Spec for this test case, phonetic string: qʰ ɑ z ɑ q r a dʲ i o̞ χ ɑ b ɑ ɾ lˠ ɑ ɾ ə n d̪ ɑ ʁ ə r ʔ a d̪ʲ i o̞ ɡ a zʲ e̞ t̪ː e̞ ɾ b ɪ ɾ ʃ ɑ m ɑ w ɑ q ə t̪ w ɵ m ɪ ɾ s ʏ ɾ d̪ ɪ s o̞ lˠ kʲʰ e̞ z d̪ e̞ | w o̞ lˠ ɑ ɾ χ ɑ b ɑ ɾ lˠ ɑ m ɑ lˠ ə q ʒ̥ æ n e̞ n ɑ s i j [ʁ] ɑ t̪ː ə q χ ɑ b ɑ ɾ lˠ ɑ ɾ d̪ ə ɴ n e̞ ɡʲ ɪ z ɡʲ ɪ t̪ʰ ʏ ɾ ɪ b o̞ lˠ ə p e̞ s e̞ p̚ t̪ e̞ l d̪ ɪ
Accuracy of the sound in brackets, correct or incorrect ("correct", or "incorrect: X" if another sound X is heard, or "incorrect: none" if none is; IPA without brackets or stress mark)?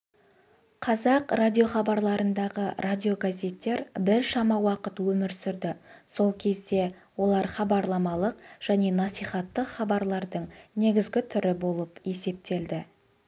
incorrect: χ